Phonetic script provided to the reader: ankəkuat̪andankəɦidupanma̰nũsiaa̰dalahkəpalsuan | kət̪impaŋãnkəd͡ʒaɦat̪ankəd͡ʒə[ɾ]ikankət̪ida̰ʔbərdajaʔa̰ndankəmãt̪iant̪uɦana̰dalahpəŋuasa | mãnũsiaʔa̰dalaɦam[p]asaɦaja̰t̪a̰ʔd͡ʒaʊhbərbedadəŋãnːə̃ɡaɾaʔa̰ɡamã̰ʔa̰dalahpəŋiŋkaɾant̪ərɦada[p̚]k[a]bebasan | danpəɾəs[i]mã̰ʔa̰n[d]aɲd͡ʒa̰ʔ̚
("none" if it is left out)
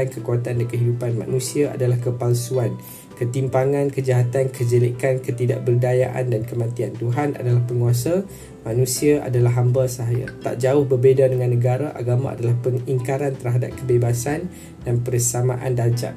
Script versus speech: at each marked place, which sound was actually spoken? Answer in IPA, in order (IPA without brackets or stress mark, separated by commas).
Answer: l, b, p̚, ə, a, d